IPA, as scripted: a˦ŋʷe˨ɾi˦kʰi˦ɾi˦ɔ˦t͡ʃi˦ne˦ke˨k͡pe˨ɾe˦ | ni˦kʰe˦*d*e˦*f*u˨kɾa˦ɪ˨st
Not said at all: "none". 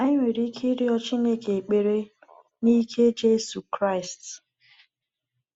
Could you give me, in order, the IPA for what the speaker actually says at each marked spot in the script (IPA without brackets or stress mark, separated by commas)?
d͡ʒ, s